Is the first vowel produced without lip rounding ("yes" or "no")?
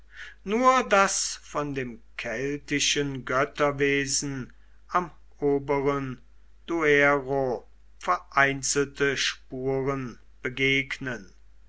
no